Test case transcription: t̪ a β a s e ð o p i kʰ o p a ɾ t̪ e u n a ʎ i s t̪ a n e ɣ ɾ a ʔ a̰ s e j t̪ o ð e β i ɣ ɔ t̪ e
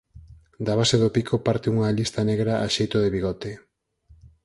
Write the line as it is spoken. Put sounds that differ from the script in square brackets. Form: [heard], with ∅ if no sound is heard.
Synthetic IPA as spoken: [d̪] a β a s e ð o p i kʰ o p a ɾ t̪ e u [ŋ] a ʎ i s t̪ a n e ɣ ɾ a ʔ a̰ [ʃ] e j t̪ o ð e β i ɣ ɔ t̪ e